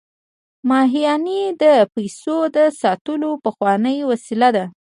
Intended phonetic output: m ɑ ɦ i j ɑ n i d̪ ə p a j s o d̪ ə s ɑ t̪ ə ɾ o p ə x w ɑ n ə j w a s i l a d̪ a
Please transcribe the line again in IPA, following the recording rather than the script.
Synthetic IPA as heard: m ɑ ɦ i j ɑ n i d̪ ə p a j s o d̪ ə s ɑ t̪ ə l o p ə x w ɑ n ə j w a s i l a d̪ a